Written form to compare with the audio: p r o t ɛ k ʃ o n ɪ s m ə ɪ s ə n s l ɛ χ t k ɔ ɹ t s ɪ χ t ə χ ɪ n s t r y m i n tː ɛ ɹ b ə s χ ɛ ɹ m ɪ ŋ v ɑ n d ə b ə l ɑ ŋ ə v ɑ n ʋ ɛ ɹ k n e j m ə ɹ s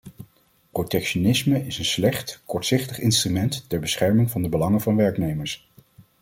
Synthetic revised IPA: p r o t ɛ k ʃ o n ɪ s m ə ɪ s ə n s l ɛ χ t k ɔ ɹ t s ɪ χ t ə χ ɪ n s t r y m ɛ n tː ɛ ɹ b ə s χ ɛ ɹ m ɪ ŋ v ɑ n d ə b ə l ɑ ŋ ə v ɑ n ʋ ɛ ɹ k n e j m ə ɹ s